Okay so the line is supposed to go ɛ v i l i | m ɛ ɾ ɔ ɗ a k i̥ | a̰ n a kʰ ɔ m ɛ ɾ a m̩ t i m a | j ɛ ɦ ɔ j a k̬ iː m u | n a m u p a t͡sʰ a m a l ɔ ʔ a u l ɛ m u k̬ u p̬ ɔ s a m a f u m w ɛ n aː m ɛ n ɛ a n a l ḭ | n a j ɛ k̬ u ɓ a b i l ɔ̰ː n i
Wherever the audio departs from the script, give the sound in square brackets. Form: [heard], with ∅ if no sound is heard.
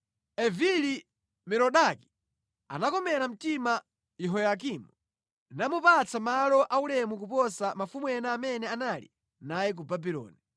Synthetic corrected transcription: ɛ v i l i | m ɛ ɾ ɔ ɗ a k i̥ | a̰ n a [k] ɔ m ɛ ɾ a m̩ t i m a | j ɛ ɦ ɔ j a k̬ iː m u | n a m u p a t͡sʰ a m a l ɔ ʔ a u l ɛ m u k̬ u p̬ ɔ s a m a f u m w ɛ n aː m ɛ n ɛ a n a l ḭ | n a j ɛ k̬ u [b] a b i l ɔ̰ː n i